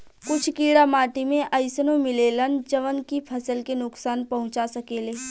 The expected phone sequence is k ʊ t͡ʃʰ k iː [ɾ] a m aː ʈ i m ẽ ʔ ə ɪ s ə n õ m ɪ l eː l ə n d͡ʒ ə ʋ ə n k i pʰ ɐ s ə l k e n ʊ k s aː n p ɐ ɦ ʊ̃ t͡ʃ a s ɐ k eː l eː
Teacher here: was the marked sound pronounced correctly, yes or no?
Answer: no